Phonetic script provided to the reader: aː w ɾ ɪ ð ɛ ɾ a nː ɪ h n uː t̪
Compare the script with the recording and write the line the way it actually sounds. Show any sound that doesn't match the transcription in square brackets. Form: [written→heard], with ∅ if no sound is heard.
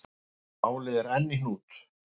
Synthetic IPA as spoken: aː w [ɾ→l] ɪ ð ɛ ɾ [a→ɛ] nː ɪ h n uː t̪